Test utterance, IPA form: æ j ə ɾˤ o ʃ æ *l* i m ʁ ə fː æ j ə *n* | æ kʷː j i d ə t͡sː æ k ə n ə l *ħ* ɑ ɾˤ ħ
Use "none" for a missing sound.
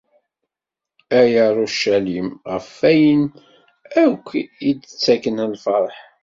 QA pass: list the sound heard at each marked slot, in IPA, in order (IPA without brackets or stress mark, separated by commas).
l, n, f